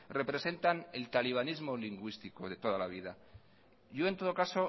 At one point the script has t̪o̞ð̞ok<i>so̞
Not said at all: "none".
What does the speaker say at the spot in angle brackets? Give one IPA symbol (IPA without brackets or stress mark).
a